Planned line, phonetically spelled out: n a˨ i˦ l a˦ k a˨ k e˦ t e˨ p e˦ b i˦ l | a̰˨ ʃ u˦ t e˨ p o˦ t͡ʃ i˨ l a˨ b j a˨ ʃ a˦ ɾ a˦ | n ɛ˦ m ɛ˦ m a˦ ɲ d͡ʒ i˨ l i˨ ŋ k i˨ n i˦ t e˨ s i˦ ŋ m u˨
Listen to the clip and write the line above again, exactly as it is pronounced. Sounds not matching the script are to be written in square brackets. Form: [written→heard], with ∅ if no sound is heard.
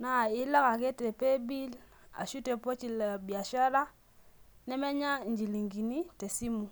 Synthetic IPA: n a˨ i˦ l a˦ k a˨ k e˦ t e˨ p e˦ b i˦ l | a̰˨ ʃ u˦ t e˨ p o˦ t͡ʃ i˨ l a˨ b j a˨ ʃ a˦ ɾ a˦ | n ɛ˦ m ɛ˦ [m→ɲ] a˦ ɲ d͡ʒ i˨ l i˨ ŋ [k→ɡ] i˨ n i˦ t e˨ s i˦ [ŋ→∅] m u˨